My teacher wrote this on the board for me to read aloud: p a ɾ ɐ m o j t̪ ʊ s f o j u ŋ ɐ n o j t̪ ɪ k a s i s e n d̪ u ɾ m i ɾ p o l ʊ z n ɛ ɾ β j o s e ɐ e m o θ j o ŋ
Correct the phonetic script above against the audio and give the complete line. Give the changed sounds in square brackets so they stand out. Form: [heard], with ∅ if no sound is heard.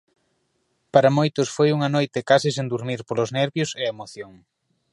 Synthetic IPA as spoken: p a ɾ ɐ m o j t̪ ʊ s f o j u ŋ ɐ n o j t̪ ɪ k a s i s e n d̪ u ɾ m i ɾ p o l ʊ z n ɛ ɾ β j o s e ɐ e m o θ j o ŋ